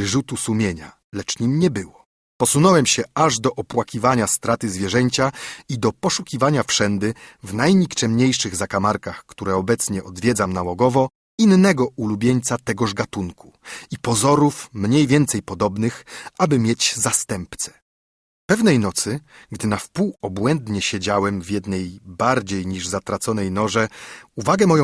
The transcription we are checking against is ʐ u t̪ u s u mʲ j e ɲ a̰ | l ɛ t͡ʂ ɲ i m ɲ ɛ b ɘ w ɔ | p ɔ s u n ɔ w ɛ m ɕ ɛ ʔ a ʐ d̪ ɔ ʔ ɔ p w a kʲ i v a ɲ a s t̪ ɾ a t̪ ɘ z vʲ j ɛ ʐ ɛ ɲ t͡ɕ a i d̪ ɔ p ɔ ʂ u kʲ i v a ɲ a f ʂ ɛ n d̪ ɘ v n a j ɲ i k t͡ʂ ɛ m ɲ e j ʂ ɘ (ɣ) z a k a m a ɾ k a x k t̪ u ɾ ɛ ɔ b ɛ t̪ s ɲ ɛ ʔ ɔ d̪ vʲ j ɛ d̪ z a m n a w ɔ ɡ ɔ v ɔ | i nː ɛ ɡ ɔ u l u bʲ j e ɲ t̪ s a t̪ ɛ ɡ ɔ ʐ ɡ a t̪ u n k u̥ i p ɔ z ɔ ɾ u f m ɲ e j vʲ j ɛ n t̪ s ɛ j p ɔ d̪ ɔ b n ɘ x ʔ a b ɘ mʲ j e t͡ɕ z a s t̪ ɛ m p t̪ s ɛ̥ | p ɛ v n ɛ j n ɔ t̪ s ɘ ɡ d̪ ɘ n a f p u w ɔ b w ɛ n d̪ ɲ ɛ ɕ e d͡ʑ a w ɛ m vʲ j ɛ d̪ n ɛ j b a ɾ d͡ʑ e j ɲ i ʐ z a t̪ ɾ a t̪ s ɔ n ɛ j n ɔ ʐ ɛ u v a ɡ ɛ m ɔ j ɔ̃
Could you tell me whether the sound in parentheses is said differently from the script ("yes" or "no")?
no